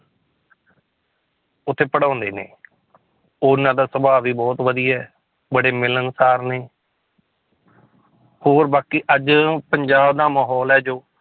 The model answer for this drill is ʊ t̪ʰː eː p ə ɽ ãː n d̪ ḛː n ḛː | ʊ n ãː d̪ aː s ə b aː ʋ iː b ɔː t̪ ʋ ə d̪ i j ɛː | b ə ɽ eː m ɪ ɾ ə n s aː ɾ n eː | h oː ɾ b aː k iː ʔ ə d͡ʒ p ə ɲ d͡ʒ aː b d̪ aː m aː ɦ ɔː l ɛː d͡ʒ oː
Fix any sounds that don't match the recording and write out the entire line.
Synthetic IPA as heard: ʊ t̪ʰː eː p ə ɽ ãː n d̪ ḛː n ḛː | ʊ n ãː d̪ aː s ə b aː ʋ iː b ɔː t̪ ʋ ə d̪ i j ɛː | b ə ɽ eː m ɪ l ə n s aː ɾ n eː | h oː ɾ b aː k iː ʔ ə d͡ʒ p ə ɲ d͡ʒ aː b d̪ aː m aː ɦ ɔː l ɛː d͡ʒ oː